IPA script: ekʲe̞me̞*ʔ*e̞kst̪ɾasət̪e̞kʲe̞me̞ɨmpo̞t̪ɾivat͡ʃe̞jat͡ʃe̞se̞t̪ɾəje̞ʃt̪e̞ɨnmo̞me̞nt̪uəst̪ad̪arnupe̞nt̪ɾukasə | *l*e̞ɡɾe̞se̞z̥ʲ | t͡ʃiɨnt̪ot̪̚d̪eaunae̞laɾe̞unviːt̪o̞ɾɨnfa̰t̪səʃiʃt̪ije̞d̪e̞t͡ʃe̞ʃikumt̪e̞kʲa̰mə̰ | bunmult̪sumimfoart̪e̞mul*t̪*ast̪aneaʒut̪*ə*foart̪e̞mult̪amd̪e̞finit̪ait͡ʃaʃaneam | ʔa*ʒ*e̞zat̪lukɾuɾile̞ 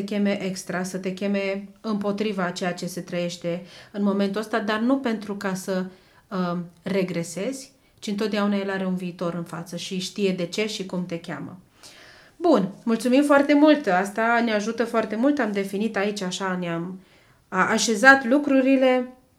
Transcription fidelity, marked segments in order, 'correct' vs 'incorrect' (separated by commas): correct, incorrect, correct, correct, incorrect